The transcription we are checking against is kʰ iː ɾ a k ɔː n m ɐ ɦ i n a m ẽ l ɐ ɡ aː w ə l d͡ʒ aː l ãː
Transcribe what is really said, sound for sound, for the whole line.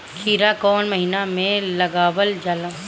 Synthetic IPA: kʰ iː ɾ a k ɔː n m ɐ ɦ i n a m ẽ l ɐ ɡ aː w ə l d͡ʒ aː l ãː